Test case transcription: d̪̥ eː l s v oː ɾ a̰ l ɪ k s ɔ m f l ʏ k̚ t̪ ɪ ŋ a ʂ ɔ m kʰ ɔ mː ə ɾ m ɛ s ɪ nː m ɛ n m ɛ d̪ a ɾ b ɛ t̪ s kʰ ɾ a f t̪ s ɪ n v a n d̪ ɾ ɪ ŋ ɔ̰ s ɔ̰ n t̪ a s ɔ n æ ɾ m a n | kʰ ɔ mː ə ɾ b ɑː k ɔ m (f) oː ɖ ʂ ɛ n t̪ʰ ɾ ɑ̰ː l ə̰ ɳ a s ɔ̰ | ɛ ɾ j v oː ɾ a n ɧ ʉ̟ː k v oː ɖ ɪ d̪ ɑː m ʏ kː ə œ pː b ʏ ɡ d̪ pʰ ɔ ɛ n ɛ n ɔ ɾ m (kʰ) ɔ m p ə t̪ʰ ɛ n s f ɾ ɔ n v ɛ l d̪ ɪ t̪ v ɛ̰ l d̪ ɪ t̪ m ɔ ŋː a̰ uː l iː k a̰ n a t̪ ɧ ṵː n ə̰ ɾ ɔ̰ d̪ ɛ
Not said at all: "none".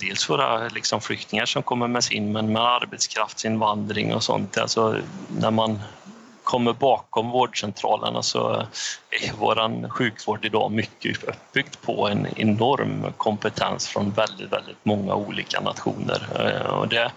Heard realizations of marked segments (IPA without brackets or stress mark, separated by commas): v, kʰ